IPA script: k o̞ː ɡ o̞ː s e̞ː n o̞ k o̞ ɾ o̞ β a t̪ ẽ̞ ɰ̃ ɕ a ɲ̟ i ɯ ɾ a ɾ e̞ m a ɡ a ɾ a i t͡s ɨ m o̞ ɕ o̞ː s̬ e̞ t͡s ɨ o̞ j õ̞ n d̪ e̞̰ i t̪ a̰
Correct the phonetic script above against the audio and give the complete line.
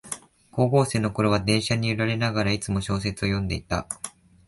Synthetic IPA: k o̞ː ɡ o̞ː s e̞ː n o̞ k o̞ ɾ o̞ β a d̪ ẽ̞ ɰ̃ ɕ a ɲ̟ i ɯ ɾ a ɾ e̞ n a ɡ a ɾ a i t͡s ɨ m o̞ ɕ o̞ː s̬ e̞ t͡s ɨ o̞ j õ̞ n d̪ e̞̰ i t̪ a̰

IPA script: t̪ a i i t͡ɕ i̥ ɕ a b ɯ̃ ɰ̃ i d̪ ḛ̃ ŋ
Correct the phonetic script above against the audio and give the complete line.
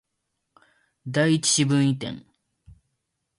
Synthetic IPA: d̪ a i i t͡ɕ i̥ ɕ i b ɯ̃ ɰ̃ i t̪ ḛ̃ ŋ

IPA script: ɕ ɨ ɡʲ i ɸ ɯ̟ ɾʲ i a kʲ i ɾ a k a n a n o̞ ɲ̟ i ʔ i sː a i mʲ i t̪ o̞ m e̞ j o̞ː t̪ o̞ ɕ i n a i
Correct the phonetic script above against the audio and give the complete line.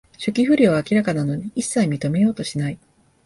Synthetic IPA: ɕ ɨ kʲ i ɸ ɯ̟ ɾʲ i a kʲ i ɾ a k a n a n o̞ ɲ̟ i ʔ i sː a i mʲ i t̪ o̞ m e̞ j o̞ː t̪ o̞ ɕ i n a i

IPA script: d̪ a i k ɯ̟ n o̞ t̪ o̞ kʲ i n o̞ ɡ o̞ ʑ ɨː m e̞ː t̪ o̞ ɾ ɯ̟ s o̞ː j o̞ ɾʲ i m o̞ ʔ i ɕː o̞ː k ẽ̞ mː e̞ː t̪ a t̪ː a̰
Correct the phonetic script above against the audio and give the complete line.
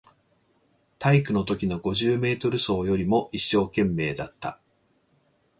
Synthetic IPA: t̪ a i k ɯ̟ n o̞ t̪ o̞ kʲ i n o̞ ɡ o̞ ʑ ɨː m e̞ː t̪ o̞ ɾ ɯ̟ s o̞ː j o̞ ɾʲ i m o̞ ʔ i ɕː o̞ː k ẽ̞ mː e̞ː d̪ a t̪ː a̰

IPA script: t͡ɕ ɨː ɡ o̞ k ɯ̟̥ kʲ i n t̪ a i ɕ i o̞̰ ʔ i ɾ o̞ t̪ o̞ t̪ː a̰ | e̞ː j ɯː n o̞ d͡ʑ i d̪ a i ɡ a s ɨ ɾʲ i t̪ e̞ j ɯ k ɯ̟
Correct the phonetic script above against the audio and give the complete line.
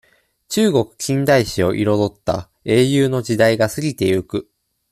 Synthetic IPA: t͡ɕ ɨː ɡ o̞ k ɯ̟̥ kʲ ĩ n d̪ a i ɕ i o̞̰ ʔ i ɾ o̞ d̪ o̞ t̪ː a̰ | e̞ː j ɯː n o̞ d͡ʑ i d̪ a i ɡ a s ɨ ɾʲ i t̪ e̞ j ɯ k ɯ̟

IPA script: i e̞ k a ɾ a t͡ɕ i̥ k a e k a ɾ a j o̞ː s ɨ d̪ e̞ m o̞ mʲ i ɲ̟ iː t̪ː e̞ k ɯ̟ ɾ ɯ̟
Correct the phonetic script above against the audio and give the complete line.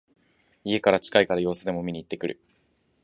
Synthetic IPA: i e̞ k a ɾ a t͡ɕ i̥ k a i k a ɾ a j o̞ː s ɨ d̪ e̞ m o̞ mʲ i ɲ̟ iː t̪ː e̞ k ɯ̟ ɾ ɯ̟

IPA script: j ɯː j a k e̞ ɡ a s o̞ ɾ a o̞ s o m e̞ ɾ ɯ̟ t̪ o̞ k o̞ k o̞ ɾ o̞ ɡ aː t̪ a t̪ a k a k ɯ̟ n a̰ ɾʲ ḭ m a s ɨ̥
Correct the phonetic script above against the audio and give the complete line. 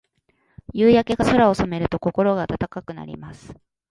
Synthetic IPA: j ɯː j a k e̞ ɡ a s o̞ ɾ a o̞ s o m e̞ ɾ ɯ̟ t̪ o̞ k o̞ k o̞ ɾ o̞ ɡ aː t̪ a t̪ a k a k ɯ̟ n a̰ ɾʲ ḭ m a s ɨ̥

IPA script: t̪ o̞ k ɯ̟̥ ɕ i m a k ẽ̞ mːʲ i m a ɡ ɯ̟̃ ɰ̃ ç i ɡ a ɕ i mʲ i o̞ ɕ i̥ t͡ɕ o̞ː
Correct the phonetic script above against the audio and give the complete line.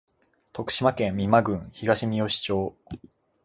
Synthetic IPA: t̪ o̞ k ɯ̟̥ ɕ i m a k ẽ̞ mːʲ i m a ɡ ɯ̟̃ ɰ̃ ç i ɡ a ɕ i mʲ i o̞ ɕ i̥ t͡ɕ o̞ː

